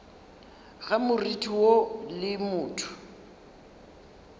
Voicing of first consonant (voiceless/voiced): voiced